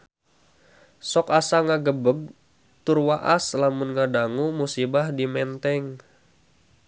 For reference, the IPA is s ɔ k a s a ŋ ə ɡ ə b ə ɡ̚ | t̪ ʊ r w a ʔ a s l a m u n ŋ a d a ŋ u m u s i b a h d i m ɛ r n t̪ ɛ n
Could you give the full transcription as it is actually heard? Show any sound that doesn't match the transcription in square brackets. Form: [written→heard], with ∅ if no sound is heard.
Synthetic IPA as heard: s ɔ k a s a ŋ [ə→a] ɡ ə b ə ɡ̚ | t̪ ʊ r w a ʔ a s l a m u n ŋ a d a ŋ u m u s i b a h d i m ɛ [r→∅] n t̪ ɛ [n→ŋ]

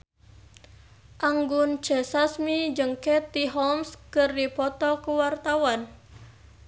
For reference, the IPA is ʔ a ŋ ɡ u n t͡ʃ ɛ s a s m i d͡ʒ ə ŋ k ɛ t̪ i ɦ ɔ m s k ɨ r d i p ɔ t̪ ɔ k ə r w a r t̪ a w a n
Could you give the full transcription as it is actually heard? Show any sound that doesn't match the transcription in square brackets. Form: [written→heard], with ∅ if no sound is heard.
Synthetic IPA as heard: ʔ a ŋ ɡ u n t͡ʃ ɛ s a s m i d͡ʒ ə ŋ k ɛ t̪ i ɦ ɔ m s k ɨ r d i p ɔ t̪ ɔ k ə [r→∅] w a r t̪ a w a n

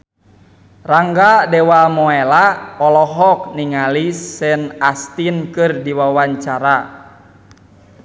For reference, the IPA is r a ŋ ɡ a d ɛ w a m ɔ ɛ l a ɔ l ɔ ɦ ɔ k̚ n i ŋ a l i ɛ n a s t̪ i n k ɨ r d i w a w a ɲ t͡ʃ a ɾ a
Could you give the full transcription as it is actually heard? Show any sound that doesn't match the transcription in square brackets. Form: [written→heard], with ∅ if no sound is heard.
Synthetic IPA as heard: r a ŋ ɡ a d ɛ w a m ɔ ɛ l a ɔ l ɔ ɦ ɔ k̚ n i ŋ a l i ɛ n a s t̪ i n k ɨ r d i w a w a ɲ t͡ʃ a ɾ a

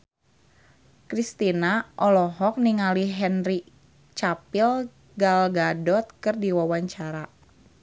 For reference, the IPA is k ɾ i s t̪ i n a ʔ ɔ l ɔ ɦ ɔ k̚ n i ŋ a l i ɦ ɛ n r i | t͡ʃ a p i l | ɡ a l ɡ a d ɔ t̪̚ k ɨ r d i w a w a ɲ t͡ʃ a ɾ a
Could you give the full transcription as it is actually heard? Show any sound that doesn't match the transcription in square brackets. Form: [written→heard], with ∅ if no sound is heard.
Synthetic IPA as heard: k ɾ i s t̪ i n a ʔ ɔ l ɔ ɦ ɔ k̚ n i ŋ a l i ɦ ɛ n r i | t͡ʃ a p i l | ɡ a l ɡ a d ɔ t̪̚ k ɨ r d i w a w a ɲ t͡ʃ a ɾ a

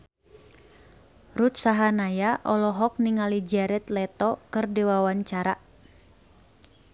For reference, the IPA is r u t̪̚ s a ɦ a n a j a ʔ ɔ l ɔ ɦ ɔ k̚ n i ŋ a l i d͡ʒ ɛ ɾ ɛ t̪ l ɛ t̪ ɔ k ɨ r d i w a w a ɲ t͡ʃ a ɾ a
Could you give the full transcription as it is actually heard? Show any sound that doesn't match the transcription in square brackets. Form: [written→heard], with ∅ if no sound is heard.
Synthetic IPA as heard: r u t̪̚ s a ɦ a n a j a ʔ ɔ l ɔ ɦ ɔ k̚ n i ŋ a l i d͡ʒ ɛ ɾ ɛ t̪ l ɛ t̪ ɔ k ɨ r d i w a w a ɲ t͡ʃ a ɾ a

